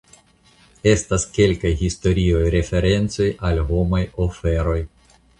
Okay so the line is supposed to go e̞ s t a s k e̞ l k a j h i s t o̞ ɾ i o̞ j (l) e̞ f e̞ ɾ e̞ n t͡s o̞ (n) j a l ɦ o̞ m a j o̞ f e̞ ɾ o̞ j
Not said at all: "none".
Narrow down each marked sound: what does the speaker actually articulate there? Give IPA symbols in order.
ɾ, none

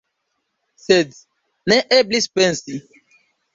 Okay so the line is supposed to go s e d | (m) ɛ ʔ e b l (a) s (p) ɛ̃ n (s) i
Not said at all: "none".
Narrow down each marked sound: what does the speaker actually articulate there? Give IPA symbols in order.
n, i, p, s

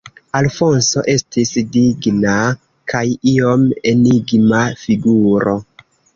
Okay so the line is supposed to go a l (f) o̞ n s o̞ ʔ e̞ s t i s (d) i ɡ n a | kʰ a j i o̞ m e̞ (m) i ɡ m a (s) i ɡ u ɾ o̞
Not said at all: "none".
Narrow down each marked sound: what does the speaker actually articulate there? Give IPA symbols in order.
f, d, n, f

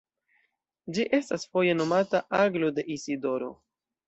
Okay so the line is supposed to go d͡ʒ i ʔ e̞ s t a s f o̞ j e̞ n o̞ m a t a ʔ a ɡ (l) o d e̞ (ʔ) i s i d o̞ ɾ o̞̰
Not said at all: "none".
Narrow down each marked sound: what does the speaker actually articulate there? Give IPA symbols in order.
l, ʔ

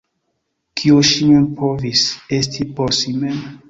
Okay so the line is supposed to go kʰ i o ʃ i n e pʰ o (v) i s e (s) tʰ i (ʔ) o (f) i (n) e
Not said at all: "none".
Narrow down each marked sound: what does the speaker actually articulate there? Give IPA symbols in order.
v, s, p, s, m

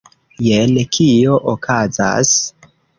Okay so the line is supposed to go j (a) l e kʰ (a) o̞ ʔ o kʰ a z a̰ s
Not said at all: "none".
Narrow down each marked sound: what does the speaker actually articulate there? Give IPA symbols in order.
e, i

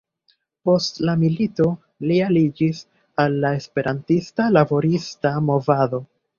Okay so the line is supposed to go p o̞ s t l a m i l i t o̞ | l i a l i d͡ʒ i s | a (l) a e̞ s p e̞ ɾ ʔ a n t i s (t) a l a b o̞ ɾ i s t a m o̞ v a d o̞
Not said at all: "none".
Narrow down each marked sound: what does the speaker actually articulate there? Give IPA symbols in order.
lː, t

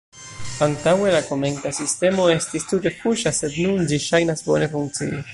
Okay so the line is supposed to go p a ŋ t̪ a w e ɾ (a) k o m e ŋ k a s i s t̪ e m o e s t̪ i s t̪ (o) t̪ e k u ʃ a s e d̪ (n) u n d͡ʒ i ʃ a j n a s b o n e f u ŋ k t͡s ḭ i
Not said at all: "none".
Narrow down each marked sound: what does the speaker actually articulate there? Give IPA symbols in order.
a, u, n

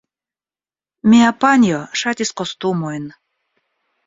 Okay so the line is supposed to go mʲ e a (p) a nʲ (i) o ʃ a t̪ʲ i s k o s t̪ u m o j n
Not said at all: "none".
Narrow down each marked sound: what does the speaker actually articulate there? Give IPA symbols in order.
p, j

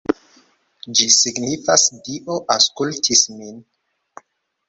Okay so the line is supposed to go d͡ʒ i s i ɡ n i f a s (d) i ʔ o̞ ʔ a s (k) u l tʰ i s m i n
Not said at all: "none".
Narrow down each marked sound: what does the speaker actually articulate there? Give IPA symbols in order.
d, k

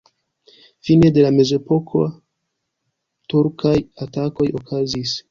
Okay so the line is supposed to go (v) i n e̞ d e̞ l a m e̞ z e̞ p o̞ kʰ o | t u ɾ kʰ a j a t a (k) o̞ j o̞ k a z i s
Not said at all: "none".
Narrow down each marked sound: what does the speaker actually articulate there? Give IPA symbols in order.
f, k

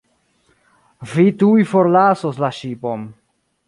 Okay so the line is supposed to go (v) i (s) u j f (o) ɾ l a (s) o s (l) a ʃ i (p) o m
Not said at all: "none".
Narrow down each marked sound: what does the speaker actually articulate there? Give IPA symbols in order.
v, t, o, s, l, p

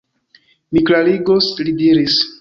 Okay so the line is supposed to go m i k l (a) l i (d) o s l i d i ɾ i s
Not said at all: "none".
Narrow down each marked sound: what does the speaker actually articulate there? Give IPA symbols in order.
a, ɡ

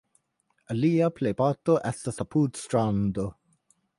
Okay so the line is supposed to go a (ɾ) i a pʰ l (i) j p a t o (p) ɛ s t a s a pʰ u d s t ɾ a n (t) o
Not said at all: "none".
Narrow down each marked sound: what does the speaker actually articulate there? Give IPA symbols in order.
l, e, ʔ, d

